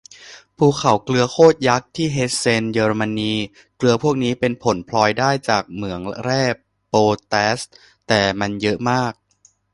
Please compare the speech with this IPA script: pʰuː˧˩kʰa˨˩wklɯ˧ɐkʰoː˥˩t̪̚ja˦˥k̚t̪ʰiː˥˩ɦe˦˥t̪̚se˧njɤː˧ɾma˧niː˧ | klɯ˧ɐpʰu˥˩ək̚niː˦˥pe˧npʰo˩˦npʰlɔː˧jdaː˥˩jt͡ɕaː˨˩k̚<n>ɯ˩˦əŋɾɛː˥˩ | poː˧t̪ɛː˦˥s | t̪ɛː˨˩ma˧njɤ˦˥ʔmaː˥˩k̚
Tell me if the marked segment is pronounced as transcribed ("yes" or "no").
no